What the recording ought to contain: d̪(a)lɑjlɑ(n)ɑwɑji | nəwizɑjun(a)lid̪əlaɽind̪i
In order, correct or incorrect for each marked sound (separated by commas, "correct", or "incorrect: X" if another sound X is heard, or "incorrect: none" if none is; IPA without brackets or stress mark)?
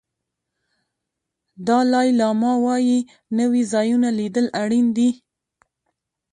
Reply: incorrect: ɑ, incorrect: m, correct